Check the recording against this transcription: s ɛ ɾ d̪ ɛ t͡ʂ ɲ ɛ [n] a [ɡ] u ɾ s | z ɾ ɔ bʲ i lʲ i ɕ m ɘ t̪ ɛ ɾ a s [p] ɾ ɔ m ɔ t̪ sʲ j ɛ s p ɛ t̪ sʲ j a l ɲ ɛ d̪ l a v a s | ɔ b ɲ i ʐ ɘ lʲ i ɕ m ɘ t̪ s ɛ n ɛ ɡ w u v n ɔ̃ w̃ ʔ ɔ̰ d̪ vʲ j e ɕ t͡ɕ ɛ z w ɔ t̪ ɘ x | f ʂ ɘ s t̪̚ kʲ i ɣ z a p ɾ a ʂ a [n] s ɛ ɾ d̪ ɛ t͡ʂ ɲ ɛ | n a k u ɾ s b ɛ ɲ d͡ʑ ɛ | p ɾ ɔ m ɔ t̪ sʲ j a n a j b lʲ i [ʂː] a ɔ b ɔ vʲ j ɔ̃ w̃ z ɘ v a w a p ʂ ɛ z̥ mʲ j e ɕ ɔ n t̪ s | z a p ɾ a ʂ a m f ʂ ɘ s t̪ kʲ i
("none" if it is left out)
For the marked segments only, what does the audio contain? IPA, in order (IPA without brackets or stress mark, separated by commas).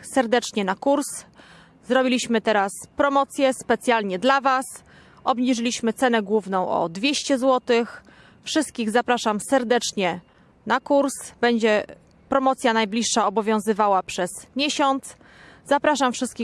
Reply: n, k, p, m, ʂː